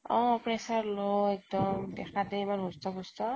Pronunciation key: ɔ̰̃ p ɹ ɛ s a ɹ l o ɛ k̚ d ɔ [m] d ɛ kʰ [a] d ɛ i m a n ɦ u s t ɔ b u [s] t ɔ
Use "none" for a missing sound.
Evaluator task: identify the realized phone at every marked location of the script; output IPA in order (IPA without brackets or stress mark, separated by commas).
m, a, s